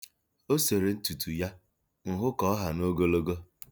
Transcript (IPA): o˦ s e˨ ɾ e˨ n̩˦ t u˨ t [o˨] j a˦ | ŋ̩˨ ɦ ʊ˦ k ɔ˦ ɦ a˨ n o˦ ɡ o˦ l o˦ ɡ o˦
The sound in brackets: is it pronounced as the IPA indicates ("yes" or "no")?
no